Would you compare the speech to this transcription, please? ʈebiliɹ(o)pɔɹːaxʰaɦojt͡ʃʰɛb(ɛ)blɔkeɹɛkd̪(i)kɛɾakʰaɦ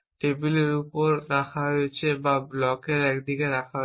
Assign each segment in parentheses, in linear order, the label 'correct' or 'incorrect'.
incorrect: u, incorrect: a, correct

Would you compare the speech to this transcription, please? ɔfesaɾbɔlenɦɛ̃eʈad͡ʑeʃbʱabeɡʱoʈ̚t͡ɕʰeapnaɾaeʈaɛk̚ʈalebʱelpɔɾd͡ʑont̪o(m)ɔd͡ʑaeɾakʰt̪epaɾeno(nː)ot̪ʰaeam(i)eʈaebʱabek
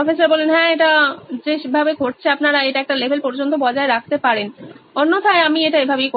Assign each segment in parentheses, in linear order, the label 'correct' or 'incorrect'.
incorrect: b, correct, correct

